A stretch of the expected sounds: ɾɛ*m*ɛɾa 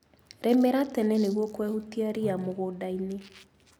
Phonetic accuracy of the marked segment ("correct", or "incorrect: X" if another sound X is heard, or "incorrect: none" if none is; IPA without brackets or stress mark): correct